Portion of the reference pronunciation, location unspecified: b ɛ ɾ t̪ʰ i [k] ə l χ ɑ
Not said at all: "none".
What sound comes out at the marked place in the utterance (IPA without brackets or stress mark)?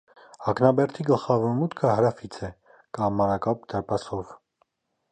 ɡ